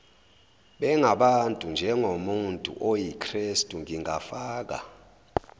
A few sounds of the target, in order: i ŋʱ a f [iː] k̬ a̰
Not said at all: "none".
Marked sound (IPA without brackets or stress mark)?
aː